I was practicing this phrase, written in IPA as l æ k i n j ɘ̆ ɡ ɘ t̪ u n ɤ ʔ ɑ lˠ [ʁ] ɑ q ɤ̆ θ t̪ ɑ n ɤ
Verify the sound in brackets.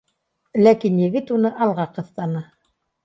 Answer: correct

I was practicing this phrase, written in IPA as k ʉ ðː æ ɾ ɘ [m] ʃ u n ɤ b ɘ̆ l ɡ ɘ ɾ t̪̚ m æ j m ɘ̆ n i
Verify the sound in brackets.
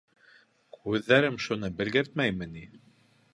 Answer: correct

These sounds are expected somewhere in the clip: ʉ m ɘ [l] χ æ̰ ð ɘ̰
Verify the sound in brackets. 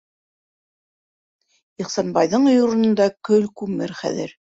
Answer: incorrect: ɾ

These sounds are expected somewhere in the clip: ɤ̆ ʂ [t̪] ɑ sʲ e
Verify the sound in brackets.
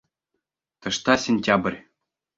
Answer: correct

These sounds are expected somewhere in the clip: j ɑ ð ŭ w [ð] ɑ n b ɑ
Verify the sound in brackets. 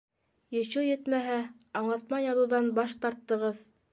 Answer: correct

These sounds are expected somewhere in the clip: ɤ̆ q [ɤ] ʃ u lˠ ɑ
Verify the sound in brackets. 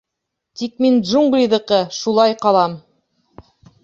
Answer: correct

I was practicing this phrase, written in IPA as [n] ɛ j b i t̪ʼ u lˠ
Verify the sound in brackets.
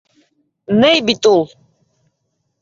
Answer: correct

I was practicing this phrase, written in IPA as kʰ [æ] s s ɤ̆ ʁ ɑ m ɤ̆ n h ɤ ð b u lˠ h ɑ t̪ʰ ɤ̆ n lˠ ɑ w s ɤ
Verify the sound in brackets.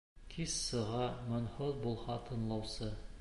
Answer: incorrect: i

